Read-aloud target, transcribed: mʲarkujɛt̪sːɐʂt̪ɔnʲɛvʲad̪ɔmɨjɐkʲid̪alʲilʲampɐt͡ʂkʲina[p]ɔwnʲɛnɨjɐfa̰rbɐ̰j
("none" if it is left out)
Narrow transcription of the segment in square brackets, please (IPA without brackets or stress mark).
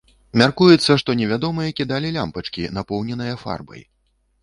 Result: p